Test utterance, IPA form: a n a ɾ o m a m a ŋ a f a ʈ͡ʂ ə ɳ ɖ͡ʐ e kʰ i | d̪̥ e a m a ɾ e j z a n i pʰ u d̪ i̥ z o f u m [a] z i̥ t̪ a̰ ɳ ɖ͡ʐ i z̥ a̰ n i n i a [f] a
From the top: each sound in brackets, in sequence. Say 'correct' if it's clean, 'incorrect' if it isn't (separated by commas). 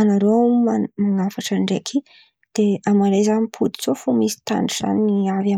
incorrect, incorrect